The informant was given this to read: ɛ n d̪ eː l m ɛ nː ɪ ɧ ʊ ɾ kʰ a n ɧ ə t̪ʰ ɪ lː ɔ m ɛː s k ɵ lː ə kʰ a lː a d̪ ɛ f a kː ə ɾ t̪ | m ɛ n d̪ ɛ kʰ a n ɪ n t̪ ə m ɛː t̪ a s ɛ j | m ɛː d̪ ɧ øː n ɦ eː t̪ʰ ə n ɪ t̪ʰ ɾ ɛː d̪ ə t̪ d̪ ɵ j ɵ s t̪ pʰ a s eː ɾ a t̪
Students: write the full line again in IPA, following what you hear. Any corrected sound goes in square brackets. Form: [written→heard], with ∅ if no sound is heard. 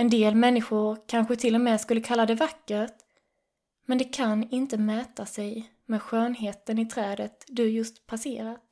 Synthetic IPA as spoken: ɛ n d̪ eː l m ɛ nː ɪ ɧ ʊ ɾ kʰ a n ɧ ə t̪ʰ ɪ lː ɔ m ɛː s k ɵ lː ə kʰ a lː a d̪ ɛ [f→v] a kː ə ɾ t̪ | m ɛ n d̪ ɛ kʰ a n ɪ n t̪ ə m ɛː t̪ a s ɛ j | m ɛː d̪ ɧ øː n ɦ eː [t̪ʰ→t̪] ə n ɪ t̪ʰ ɾ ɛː d̪ ə t̪ d̪ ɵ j ɵ s t̪ pʰ a s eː ɾ a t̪